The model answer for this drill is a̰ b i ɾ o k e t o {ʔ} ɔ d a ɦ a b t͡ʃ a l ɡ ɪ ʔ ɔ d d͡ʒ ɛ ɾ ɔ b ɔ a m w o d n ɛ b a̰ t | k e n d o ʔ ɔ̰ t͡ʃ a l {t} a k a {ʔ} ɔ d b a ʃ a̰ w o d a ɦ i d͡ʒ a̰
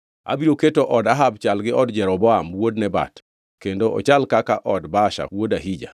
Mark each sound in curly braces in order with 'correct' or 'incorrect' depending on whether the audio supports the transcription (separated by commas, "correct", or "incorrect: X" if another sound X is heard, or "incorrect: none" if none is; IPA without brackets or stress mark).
correct, incorrect: k, correct